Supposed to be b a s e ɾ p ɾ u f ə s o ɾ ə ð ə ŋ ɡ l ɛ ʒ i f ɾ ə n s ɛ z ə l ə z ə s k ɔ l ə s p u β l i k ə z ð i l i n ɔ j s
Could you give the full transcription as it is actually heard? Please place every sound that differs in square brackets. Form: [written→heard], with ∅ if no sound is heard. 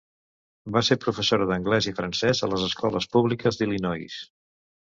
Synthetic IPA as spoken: b a s e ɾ p ɾ u f ə s o ɾ ə ð ə ŋ ɡ l ɛ [ʒ→z] i f ɾ ə n s ɛ z ə l ə z ə s k ɔ l ə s p u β l i k ə z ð i l i n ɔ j s